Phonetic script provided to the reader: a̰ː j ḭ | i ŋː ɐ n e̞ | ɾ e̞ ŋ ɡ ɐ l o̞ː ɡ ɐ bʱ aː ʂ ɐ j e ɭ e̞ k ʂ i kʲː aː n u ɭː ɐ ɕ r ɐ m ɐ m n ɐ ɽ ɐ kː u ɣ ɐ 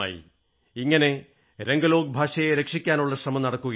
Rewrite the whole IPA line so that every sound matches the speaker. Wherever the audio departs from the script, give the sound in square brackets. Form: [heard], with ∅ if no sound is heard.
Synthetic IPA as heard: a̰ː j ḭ | i ŋː ɐ n e̞ | ɾ e̞ ŋ ɡ ɐ l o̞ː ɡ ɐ bʱ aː ʂ ɐ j e [ɾ] e̞ k ʂ i kʲː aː n u ɭː ɐ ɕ r ɐ m ɐ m n ɐ ɽ ɐ kː u ɣ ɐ